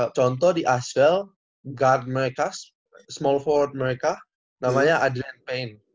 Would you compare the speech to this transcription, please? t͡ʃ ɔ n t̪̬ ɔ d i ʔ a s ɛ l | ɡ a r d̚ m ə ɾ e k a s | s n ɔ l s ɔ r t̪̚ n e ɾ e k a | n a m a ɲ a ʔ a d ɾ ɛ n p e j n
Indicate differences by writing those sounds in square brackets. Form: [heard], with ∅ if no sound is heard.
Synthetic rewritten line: t͡ʃ ɔ n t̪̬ ɔ d i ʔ a s ɛ l | ɡ a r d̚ m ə ɾ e k a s | s [m] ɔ l [f] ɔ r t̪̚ [m] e ɾ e k a | n a m a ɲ a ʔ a d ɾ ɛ n p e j n